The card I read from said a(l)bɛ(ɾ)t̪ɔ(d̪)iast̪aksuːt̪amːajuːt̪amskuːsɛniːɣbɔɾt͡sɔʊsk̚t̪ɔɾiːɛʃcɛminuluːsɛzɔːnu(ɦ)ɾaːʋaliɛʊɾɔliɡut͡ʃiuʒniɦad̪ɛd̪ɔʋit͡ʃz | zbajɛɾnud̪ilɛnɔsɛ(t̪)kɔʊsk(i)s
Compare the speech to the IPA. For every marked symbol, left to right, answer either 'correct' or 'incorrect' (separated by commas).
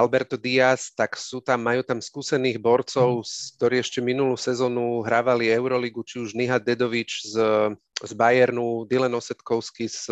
correct, correct, correct, correct, correct, correct